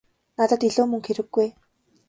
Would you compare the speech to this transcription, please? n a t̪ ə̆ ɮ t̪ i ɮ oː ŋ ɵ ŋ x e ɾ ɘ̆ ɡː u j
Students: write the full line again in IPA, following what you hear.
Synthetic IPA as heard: n a t̪ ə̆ t̪ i ɮ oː m ɵ ŋ x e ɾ ɘ̆ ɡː u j